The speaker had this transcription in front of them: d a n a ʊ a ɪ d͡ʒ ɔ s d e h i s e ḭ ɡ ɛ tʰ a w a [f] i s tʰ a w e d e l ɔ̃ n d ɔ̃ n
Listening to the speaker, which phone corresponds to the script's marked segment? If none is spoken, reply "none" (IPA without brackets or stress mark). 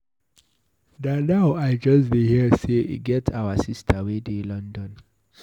s